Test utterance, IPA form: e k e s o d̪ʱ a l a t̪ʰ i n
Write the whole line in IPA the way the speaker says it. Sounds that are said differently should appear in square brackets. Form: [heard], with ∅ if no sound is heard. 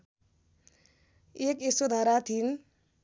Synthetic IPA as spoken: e k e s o d̪ʱ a [ɾ] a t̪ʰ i n